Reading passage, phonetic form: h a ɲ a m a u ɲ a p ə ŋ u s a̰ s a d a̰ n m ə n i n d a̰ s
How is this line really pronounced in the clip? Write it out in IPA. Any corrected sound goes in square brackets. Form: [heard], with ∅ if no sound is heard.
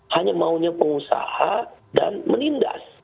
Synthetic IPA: h a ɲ a m a u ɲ a p ə ŋ u s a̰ [h] a d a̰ n m ə n i n d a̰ s

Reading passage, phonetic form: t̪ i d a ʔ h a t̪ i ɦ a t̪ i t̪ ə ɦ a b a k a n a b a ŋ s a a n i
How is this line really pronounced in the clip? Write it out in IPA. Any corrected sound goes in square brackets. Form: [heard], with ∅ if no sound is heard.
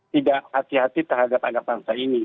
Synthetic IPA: t̪ i d a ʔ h a t̪ i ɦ a t̪ i t̪ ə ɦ a [d] a [p] a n a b a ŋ s a [i] n i

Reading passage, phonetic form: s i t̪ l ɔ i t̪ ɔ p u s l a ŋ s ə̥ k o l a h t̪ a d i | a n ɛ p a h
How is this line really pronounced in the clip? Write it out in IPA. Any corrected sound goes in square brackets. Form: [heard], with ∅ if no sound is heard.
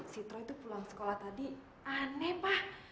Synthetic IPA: s i t̪ [ɾ] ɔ i t̪ [u] p u [∅] l a ŋ s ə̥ k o l a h t̪ a d i | a n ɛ p a h

